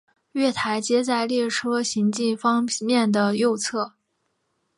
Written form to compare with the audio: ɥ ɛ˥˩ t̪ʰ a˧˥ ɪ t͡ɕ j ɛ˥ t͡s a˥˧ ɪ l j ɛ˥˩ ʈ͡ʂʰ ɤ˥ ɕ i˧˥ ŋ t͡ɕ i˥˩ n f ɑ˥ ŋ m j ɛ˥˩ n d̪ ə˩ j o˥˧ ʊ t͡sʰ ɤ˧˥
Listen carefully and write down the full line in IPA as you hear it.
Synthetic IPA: ɥ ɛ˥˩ t̪ʰ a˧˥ ɪ t͡ɕ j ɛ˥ t͡s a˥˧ ɪ l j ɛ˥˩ ʈ͡ʂʰ ɤ˥ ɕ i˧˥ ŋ t͡ɕ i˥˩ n f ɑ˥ ŋ m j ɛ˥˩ n d̪ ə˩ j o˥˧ ʊ t͡sʰ ɤ˥˩